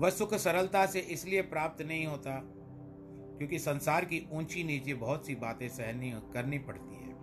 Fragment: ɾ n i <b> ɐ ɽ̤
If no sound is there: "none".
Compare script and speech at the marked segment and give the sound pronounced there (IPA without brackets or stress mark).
p